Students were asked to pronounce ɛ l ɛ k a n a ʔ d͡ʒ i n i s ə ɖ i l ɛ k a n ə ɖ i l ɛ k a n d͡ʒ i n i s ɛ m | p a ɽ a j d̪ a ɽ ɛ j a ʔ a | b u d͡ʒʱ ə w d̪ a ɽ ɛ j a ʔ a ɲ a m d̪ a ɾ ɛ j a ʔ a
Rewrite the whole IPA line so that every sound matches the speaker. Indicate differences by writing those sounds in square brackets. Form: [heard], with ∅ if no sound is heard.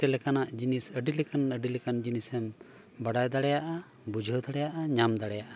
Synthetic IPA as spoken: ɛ l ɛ k a n a ʔ d͡ʒ i n i s ə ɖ i l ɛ k a n ə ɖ i l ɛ k a n d͡ʒ i n i s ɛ m | [b] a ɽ a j d̪ a ɽ ɛ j a ʔ a | b u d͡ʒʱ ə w d̪ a ɽ ɛ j a ʔ a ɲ a m d̪ a [ɽ] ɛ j a ʔ a